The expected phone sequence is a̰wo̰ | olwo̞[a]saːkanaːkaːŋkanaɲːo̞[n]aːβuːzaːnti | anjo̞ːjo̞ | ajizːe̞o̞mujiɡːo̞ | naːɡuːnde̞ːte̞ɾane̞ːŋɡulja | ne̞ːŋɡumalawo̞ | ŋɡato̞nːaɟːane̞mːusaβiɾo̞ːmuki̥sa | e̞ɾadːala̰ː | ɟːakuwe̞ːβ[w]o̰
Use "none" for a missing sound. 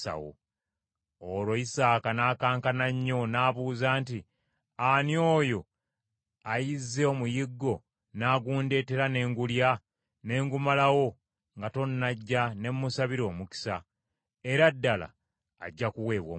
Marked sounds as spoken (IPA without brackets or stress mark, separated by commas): i, n, w